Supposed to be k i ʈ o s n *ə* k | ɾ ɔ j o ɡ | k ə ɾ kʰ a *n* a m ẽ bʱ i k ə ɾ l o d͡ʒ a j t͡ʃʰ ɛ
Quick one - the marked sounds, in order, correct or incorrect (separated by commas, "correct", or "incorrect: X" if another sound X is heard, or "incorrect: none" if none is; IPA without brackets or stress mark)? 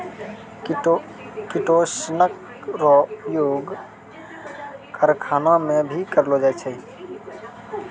correct, correct